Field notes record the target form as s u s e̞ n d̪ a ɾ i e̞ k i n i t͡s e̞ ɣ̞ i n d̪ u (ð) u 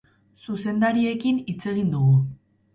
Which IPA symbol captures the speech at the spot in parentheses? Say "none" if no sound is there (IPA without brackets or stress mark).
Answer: ɣ